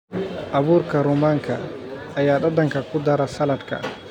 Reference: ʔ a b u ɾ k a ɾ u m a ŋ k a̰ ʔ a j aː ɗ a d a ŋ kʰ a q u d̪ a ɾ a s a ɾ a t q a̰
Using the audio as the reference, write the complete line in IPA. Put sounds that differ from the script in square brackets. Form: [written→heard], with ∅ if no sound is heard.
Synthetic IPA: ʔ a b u ɾ k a ɾ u m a ŋ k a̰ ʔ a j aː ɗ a d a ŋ [kʰ→k] a [q→k] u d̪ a ɾ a s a [ɾ→l] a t [q→k] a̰